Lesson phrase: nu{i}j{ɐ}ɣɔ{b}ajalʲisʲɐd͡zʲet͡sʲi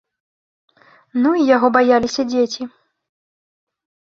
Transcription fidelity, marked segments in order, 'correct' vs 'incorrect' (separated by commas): correct, incorrect, correct